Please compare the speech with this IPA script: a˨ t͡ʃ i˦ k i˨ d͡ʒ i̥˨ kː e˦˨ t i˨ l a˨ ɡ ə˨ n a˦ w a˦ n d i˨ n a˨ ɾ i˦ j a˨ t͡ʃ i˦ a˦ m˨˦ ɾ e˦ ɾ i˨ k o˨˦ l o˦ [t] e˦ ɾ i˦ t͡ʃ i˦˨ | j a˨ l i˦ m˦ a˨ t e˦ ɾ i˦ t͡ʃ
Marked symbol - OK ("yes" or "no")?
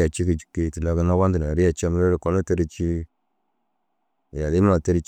yes